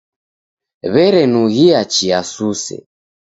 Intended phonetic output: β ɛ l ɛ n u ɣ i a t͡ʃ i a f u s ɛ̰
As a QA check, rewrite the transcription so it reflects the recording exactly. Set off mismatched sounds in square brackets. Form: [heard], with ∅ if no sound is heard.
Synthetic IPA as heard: β ɛ [ɾ] ɛ n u ɣ i a t͡ʃ i a [s] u s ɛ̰